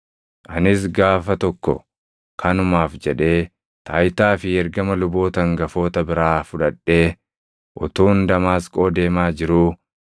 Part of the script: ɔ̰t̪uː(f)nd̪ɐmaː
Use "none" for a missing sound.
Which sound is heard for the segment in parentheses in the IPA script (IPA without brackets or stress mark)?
none